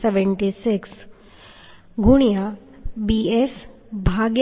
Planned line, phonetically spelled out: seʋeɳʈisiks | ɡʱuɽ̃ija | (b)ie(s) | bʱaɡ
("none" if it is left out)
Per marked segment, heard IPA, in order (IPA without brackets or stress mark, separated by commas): b, s